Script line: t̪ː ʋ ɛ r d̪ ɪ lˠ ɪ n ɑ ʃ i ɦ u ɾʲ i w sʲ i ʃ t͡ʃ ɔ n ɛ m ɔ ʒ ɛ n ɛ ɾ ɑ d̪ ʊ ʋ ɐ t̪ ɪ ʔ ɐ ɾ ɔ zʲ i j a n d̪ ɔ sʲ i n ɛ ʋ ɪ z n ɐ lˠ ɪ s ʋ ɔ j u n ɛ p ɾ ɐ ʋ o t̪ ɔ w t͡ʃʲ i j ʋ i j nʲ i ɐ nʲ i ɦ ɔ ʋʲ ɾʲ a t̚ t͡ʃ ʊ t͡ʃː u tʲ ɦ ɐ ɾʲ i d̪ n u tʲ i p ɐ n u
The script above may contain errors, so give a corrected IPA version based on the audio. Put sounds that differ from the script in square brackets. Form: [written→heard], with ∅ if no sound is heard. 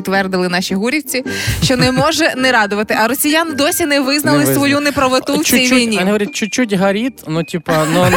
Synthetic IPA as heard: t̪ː ʋ ɛ r d̪ ɪ lˠ ɪ n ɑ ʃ i ɦ u ɾʲ i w [sʲ→t͡sʲ] i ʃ t͡ʃ ɔ n ɛ m ɔ ʒ ɛ n ɛ ɾ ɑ d̪ ʊ ʋ ɐ t̪ ɪ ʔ ɐ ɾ ɔ [zʲ→sʲ] i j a n d̪ ɔ sʲ i n ɛ ʋ ɪ z n ɐ lˠ ɪ s ʋ ɔ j u n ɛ p ɾ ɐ ʋ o t̪ [ɔ→u] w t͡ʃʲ i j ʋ i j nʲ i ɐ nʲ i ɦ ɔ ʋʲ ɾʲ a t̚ t͡ʃ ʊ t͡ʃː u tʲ ɦ ɐ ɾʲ i [d̪→t̪] n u tʲ i p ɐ n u